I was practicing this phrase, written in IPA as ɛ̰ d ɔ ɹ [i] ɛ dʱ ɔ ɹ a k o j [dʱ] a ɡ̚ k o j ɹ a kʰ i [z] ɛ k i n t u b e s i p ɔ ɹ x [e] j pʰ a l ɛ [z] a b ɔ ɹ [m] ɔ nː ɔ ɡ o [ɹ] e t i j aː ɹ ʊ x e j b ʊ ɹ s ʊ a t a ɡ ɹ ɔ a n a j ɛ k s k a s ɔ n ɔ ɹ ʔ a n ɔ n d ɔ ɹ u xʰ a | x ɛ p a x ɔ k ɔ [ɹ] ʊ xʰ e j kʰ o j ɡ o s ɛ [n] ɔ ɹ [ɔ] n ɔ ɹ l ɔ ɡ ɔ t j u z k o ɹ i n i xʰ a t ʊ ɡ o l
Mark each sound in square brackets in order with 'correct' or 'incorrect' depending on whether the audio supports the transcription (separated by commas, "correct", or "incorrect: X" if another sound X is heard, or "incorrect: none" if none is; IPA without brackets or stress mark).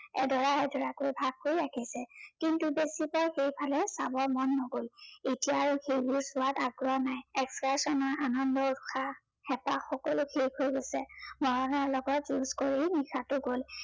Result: incorrect: a, incorrect: bʱ, incorrect: s, correct, incorrect: s, correct, incorrect: l, incorrect: l, incorrect: m, correct